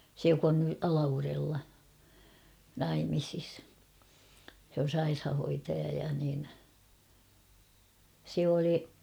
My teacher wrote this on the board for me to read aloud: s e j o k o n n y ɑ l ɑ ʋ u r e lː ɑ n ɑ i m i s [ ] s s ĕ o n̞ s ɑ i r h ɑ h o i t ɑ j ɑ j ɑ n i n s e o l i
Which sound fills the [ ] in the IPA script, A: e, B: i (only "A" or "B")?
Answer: B